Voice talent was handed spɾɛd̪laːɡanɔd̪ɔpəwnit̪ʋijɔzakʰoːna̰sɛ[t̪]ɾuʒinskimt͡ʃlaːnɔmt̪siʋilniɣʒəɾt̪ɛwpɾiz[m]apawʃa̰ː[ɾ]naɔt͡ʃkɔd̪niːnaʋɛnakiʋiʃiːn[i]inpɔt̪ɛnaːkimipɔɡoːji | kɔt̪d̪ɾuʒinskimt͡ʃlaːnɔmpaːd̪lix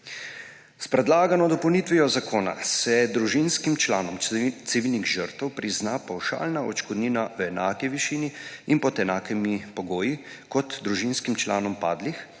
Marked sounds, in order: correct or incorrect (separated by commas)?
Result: incorrect, incorrect, incorrect, correct